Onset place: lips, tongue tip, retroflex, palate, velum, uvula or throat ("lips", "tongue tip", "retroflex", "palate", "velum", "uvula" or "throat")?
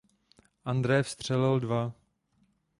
throat